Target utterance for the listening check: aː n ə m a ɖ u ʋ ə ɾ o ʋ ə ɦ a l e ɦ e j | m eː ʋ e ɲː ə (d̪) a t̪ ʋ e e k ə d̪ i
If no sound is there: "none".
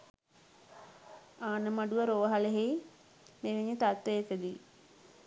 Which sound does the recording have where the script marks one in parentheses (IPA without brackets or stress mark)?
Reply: t̪